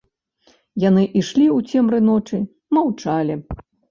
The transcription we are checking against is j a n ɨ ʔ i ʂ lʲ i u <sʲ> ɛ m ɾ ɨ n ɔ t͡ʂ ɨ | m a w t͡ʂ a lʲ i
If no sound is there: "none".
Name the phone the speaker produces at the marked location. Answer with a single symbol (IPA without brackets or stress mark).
t͡sʲ